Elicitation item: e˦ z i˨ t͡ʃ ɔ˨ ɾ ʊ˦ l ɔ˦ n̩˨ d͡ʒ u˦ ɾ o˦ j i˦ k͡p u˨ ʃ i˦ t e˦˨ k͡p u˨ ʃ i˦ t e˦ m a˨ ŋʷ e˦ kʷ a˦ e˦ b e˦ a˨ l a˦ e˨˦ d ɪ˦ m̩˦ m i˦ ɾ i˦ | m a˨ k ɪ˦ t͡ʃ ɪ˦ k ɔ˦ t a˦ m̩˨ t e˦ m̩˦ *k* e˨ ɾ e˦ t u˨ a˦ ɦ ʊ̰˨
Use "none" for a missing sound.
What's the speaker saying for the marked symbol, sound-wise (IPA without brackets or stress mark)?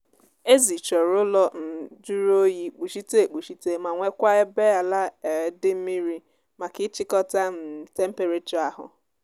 p